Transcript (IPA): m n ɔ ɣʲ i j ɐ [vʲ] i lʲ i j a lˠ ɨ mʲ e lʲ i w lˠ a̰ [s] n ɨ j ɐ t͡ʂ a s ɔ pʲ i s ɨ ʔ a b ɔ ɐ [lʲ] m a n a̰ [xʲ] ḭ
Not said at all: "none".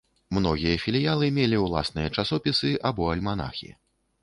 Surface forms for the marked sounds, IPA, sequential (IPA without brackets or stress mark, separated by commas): fʲ, s, lʲ, xʲ